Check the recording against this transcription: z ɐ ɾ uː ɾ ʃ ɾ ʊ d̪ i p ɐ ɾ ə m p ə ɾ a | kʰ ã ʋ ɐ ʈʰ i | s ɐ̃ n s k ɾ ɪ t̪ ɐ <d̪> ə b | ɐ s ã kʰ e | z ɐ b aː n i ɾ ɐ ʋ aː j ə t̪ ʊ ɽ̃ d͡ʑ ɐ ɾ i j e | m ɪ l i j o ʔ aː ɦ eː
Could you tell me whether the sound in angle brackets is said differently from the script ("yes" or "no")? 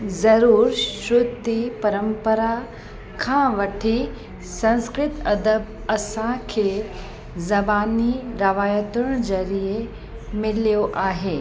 no